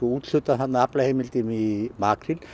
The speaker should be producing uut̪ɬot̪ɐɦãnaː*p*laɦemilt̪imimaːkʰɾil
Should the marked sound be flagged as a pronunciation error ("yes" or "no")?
no